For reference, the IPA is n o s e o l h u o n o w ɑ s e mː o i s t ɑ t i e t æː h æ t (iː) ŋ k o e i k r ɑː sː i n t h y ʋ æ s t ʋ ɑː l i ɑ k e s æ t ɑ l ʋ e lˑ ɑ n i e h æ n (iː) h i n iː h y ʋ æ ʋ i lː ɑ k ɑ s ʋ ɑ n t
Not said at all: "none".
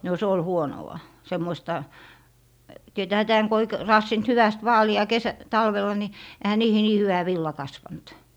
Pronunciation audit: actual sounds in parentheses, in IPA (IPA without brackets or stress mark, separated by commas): æː, iː